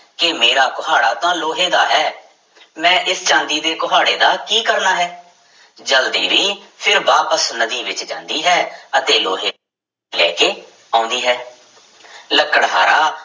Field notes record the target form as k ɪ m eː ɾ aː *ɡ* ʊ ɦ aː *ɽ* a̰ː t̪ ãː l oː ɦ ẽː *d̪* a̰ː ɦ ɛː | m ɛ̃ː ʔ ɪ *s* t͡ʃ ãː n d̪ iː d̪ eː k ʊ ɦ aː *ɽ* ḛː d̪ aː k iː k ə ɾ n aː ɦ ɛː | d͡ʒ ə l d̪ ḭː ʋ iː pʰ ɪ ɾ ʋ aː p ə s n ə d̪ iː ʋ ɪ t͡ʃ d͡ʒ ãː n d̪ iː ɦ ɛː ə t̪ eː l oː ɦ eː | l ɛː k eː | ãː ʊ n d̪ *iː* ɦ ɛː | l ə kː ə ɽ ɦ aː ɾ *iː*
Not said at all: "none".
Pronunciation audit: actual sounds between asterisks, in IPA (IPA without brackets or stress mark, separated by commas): k, ɽ, d̪, s, ɽ, iː, aː